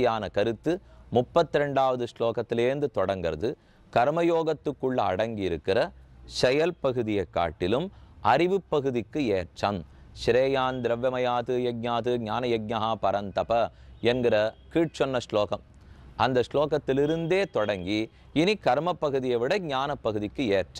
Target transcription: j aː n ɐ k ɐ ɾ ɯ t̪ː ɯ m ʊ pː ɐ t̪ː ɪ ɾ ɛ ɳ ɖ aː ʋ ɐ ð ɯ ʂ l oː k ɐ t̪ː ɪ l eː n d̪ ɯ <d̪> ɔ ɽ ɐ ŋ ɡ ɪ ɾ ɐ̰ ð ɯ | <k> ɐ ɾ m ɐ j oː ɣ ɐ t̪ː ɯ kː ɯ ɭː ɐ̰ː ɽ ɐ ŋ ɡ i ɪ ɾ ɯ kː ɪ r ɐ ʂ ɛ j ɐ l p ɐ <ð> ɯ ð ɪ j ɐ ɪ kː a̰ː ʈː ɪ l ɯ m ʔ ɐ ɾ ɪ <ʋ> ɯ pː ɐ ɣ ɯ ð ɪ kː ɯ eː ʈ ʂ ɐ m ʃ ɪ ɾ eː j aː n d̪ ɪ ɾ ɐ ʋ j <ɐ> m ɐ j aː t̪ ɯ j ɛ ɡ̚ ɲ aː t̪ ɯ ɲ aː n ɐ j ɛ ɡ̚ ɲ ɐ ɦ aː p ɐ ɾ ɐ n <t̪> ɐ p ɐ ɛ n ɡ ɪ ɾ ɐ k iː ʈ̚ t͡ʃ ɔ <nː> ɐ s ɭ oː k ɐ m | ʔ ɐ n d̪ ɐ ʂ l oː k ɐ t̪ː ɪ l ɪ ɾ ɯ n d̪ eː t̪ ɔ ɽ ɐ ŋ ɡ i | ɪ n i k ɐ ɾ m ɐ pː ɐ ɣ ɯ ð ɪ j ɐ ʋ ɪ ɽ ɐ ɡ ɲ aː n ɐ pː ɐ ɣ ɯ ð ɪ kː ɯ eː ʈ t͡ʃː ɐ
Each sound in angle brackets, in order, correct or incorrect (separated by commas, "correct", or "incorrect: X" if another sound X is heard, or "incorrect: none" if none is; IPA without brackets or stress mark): incorrect: t̪, correct, incorrect: ɣ, correct, correct, correct, correct